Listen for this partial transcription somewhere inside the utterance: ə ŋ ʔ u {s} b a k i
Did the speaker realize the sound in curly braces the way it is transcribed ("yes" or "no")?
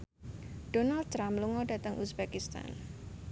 yes